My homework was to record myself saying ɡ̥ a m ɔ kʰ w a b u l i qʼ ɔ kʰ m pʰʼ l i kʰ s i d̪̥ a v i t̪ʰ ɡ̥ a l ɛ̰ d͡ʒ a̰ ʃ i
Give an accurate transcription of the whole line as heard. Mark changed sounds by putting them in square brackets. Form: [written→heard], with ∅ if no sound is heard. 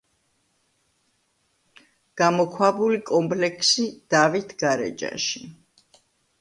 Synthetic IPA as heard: ɡ̥ a m ɔ kʰ w a b u l i [qʼ→kʼ] ɔ [kʰ→∅] m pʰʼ l [i→ɛ] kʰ s i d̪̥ a v i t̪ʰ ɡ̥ a [l→ɾ] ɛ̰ d͡ʒ a̰ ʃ i